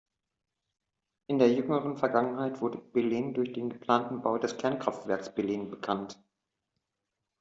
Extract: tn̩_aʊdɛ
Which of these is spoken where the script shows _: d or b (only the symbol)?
b